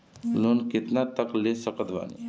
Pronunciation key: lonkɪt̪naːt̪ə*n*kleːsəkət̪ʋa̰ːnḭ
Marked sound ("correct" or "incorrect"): incorrect